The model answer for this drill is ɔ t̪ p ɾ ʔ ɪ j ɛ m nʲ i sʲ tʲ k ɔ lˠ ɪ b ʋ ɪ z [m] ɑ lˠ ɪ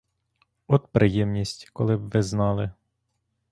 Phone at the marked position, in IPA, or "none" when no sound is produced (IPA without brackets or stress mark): n